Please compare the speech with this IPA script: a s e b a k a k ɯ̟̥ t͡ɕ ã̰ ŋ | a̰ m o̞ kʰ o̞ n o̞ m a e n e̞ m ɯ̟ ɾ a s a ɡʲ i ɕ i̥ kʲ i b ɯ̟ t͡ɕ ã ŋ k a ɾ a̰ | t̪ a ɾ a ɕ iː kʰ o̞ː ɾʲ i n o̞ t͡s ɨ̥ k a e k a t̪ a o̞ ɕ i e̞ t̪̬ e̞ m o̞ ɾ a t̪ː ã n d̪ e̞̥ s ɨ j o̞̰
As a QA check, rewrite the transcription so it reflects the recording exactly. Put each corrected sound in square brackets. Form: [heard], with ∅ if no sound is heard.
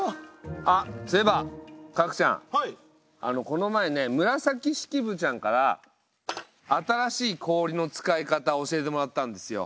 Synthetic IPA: a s e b a k a k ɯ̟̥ t͡ɕ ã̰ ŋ | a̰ [n] o̞ [k] o̞ n o̞ m a e n e̞ m ɯ̟ ɾ a s a [kʲ] i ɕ i̥ kʲ i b ɯ̟ t͡ɕ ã ŋ k a ɾ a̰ | t̪ a ɾ a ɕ iː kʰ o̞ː ɾʲ i n o̞ t͡s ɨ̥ k a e k a t̪ a o̞ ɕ i e̞ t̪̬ e̞ m o̞ ɾ a t̪ː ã n d̪ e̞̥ s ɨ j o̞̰